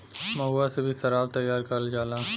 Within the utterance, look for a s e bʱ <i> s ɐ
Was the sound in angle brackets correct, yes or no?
yes